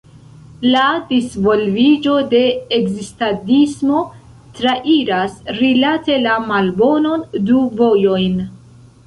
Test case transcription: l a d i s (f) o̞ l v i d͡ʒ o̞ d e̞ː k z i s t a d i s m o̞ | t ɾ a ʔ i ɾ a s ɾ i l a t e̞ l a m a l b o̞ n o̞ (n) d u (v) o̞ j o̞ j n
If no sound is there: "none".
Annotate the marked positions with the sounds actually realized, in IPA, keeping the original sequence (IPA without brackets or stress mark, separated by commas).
v, n, v